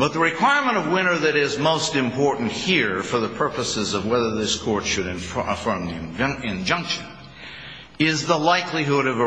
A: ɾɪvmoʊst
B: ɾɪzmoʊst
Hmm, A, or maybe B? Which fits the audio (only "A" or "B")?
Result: B